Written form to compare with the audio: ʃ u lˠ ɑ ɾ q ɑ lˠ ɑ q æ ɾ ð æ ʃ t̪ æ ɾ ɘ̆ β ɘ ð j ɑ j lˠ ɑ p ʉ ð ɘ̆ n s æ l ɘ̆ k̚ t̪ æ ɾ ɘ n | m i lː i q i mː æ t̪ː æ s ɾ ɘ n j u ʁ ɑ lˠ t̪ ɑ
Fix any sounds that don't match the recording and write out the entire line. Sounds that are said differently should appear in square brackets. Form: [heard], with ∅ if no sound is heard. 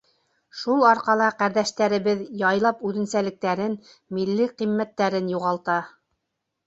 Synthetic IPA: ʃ u lˠ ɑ ɾ q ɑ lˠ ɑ q æ ɾ ð æ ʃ t̪ æ ɾ ɘ̆ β ɘ ð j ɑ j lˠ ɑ p ʉ ð ɘ̆ n s æ l ɘ̆ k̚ t̪ æ ɾ ɘ n | m i lː i q i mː æ t̪ː æ [∅] ɾ ɘ n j u ʁ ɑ lˠ t̪ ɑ